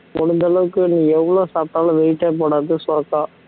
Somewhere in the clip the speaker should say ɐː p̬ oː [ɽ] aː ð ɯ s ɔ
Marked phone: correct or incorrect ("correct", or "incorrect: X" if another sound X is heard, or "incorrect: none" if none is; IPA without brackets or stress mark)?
correct